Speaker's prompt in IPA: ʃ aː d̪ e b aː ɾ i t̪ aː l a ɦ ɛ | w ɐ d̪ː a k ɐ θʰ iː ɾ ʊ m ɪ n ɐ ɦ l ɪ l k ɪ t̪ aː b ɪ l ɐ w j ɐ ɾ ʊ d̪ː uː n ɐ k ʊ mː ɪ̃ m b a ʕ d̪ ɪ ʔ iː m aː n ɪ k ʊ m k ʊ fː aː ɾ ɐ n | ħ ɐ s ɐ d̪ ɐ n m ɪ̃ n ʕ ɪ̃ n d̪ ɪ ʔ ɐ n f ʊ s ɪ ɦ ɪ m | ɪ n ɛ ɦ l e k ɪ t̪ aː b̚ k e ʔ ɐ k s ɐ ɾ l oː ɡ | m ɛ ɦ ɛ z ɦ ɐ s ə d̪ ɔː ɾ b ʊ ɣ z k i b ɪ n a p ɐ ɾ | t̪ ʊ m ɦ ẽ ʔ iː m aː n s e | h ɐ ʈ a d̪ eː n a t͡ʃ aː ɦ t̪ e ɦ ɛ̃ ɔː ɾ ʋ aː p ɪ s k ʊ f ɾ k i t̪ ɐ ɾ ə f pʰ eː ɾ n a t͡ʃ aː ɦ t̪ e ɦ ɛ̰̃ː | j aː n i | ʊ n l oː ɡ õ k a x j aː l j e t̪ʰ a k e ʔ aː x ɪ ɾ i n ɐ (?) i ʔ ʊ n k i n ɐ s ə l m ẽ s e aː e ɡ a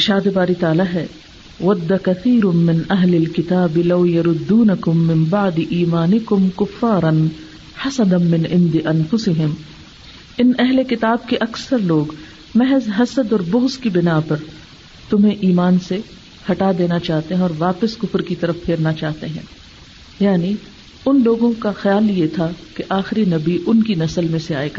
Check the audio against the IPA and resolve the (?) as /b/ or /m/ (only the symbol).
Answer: b